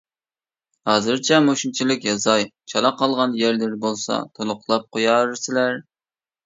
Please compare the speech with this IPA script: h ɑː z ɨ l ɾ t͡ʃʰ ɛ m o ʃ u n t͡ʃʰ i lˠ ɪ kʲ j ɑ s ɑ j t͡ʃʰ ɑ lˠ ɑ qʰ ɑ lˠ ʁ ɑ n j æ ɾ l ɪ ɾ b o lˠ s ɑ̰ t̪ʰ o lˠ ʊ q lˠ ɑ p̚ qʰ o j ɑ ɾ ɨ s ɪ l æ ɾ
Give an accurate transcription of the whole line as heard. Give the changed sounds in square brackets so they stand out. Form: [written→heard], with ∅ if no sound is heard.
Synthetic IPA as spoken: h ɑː z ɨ [l→∅] ɾ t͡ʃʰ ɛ m o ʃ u n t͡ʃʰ i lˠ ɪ kʲ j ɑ [s→z] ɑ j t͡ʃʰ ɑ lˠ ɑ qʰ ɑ lˠ ʁ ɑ n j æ ɾ l ɪ ɾ b o lˠ s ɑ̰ t̪ʰ o lˠ ʊ q lˠ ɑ p̚ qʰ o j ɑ ɾ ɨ s ɪ l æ ɾ